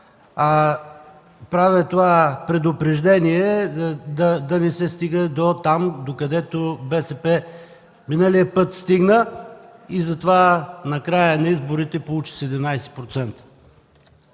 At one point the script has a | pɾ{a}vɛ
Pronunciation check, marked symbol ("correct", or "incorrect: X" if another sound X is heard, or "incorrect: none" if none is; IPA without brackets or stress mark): correct